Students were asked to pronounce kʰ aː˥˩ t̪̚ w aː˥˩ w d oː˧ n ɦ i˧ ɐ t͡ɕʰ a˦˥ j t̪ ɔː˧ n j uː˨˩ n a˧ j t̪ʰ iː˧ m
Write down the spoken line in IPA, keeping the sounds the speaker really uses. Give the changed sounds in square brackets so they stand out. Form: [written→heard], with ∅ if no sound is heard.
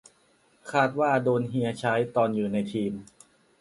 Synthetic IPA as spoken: kʰ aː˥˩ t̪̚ w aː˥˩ [w→∅] d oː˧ n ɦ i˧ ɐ t͡ɕʰ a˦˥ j t̪ ɔː˧ n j uː˨˩ n a˧ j t̪ʰ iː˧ m